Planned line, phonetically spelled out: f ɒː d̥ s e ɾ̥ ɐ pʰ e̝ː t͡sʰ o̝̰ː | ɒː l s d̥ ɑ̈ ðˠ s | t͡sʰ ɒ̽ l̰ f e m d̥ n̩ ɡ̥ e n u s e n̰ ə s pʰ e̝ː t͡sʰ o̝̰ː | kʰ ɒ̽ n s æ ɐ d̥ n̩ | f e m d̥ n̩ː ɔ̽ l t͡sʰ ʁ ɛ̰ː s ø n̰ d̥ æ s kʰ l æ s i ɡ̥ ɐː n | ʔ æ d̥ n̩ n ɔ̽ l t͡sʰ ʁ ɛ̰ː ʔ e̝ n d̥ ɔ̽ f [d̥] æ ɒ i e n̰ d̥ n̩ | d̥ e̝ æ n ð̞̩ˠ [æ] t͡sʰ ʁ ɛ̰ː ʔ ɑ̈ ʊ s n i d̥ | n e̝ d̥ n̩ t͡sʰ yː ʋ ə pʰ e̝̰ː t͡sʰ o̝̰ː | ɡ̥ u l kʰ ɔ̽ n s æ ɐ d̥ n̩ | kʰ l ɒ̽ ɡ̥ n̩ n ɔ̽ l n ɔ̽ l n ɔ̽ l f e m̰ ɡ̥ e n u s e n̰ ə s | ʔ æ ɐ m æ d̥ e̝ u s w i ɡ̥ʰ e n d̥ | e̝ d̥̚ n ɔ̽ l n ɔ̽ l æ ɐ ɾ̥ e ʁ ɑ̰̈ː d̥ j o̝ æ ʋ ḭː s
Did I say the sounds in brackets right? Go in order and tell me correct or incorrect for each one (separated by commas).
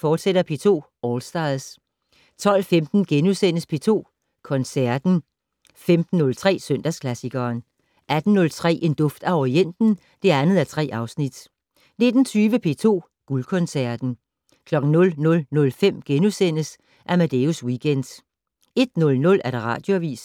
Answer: correct, correct